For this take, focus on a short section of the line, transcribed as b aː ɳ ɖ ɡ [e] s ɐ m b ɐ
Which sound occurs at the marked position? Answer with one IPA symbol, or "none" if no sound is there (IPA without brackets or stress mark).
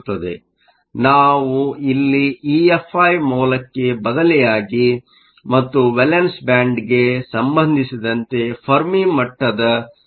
e